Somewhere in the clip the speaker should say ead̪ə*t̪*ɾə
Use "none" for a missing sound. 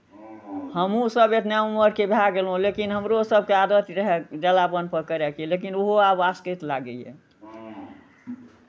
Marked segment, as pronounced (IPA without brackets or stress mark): t̪